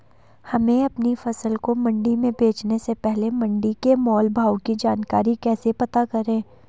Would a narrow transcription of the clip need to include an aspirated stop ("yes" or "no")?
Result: no